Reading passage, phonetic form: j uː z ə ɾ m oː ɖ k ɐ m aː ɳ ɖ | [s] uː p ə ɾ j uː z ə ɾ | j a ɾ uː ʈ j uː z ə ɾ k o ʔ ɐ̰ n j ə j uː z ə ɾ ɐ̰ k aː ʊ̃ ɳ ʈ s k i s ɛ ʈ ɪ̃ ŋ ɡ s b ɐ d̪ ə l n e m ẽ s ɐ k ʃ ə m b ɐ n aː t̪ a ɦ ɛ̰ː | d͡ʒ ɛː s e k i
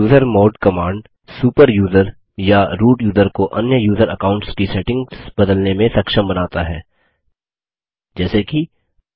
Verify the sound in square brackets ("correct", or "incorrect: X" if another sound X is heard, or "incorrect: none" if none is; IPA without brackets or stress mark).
correct